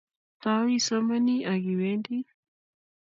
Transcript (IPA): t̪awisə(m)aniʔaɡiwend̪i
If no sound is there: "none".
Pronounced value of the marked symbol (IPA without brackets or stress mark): m